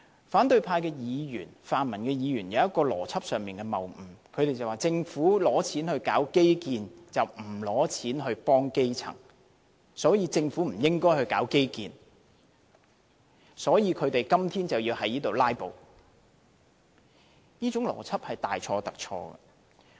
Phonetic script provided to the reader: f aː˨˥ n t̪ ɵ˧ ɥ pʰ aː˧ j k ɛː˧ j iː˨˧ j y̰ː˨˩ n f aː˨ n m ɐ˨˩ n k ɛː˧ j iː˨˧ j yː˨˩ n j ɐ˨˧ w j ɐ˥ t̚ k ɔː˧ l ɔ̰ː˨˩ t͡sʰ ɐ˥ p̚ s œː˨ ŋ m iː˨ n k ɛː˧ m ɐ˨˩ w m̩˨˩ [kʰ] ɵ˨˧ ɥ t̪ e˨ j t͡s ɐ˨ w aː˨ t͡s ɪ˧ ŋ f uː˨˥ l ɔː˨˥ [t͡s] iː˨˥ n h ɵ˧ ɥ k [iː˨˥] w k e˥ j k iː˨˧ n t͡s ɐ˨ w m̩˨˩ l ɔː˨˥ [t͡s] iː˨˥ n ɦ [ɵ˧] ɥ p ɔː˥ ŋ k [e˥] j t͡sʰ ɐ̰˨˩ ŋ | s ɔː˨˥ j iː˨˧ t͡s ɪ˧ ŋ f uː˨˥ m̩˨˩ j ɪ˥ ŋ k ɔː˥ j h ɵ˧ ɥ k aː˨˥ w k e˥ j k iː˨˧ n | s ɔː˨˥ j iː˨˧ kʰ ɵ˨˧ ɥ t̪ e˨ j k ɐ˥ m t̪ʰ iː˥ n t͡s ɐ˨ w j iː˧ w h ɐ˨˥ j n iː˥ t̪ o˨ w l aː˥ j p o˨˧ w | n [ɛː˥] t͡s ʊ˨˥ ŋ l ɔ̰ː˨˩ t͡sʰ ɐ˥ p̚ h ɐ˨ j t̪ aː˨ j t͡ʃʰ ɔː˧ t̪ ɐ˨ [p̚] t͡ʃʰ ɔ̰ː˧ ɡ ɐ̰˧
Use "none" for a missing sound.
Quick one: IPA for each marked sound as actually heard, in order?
kʰ, t͡sʰ, aː˨˥, t͡sʰ, ɵ˧, e˥, iː˥, k̚

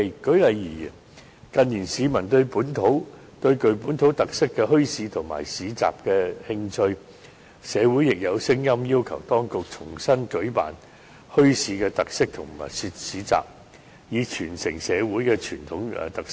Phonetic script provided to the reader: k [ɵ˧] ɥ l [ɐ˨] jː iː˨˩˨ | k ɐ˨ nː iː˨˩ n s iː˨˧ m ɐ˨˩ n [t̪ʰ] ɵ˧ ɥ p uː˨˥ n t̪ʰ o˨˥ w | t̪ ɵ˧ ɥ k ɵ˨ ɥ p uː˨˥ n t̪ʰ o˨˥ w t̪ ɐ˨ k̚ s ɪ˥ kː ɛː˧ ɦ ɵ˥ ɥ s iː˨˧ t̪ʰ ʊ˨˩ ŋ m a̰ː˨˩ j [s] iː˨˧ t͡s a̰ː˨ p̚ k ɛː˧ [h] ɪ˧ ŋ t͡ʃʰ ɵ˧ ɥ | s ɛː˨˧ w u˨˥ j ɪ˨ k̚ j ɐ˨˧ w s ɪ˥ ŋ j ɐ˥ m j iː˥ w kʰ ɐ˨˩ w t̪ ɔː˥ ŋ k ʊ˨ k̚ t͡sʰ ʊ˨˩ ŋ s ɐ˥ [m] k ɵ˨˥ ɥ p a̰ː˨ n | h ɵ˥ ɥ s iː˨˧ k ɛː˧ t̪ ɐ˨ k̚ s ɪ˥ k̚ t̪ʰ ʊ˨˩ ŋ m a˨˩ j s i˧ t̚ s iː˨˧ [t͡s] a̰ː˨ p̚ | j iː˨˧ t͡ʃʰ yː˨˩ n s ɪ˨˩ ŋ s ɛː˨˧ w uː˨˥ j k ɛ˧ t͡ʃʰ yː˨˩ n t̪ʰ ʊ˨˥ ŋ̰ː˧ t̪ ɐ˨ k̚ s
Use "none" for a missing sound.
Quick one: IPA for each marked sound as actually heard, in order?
ɵ˨˥, ɐ˨, t̪, s, h, n, t͡s

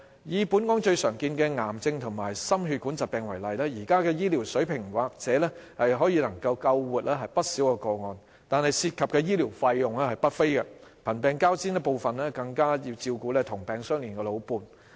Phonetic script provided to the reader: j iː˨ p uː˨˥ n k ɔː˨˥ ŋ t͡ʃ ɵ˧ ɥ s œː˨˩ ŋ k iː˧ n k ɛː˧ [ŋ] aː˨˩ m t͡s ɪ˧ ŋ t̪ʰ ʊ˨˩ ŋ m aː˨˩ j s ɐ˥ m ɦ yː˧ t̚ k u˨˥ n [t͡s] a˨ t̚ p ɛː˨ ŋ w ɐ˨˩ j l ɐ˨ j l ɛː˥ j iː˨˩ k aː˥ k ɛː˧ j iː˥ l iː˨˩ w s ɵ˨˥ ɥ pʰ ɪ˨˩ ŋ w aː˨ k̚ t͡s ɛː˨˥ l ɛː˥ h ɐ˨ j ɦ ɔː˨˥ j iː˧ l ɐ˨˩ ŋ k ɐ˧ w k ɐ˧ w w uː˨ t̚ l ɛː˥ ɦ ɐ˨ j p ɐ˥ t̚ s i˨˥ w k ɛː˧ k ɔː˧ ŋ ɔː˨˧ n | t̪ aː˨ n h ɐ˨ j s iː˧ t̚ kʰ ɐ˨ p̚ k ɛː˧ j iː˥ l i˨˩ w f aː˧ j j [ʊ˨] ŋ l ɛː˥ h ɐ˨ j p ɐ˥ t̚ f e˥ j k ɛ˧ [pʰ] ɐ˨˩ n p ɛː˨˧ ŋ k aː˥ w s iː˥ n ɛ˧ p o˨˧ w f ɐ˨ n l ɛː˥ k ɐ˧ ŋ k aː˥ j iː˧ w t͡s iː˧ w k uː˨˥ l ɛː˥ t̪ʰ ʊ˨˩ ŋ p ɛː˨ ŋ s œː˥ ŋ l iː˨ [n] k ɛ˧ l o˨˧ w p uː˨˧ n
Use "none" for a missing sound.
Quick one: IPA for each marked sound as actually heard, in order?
ŋ, t͡s, ʊ˨, pʰ, n

